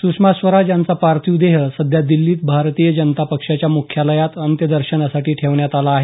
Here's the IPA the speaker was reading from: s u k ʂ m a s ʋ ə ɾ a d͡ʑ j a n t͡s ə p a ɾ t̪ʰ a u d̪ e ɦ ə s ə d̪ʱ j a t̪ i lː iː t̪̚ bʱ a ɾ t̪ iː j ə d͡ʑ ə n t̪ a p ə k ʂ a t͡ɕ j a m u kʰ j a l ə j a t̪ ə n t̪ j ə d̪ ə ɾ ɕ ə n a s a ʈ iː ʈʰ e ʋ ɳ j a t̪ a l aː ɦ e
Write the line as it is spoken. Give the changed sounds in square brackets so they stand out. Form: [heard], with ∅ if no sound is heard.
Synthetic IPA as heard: s u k ʂ m a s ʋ ə ɾ a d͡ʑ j a n t͡s [a] p a ɾ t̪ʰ [i] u d̪ e ɦ ə s ə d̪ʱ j a [d̪] i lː iː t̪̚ bʱ a ɾ t̪ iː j ə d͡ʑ ə n t̪ a p ə k ʂ a t͡ɕ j a m u kʰ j a l ə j a t̪ ə n t̪ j ə d̪ ə ɾ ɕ ə n a s a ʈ iː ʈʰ e ʋ ɳ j a t̪ a l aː ɦ e